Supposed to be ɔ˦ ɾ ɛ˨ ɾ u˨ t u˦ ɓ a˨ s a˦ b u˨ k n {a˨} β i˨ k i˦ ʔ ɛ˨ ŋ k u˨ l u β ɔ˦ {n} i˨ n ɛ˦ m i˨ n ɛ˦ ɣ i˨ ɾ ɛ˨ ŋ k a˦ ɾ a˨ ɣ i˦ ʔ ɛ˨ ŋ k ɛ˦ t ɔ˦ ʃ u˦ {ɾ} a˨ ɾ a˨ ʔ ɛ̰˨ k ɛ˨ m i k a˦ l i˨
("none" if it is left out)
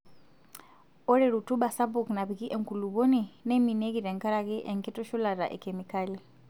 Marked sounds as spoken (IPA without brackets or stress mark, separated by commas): a˨, n, l